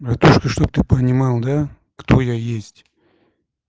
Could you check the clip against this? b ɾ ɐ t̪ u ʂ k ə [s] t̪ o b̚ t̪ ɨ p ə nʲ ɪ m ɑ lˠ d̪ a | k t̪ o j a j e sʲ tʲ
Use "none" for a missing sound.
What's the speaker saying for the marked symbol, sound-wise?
ʂ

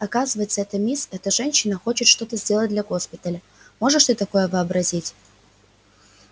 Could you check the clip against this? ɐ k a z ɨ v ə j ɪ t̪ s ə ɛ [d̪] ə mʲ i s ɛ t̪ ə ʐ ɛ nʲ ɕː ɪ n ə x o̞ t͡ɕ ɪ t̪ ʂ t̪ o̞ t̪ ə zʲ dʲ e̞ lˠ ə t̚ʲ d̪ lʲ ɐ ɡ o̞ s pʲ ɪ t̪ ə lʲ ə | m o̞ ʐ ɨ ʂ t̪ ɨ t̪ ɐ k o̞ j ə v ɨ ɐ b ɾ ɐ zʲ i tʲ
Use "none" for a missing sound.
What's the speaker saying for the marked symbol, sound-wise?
t̪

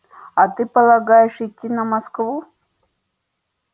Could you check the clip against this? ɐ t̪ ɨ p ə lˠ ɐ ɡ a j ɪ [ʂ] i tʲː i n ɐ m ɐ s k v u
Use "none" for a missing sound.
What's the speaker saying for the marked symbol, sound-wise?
ʂ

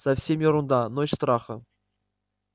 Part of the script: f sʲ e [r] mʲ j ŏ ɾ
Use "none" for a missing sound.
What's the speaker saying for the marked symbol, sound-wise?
none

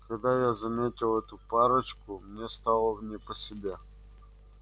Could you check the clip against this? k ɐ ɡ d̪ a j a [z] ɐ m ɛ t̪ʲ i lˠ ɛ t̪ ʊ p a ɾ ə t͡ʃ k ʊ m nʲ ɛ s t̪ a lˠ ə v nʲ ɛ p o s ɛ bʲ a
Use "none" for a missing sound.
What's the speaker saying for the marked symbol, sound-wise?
z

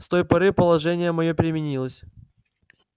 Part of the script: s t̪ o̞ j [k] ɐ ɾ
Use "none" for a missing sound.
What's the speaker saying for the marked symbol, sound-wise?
p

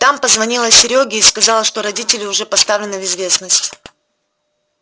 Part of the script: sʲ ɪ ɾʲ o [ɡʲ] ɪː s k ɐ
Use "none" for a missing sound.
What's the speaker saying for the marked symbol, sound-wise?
ɡʲ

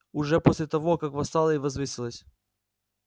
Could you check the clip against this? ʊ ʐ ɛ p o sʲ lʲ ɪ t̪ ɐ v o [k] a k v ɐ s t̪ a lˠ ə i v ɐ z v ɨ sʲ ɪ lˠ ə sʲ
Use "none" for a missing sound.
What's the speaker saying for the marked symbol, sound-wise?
k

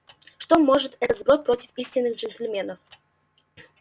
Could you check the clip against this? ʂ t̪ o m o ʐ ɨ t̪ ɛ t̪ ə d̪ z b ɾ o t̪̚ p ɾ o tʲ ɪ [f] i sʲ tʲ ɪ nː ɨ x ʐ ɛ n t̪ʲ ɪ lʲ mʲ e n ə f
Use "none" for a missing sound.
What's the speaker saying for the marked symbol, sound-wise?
f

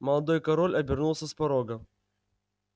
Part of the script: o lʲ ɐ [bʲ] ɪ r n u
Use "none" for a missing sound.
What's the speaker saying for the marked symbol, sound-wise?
bʲ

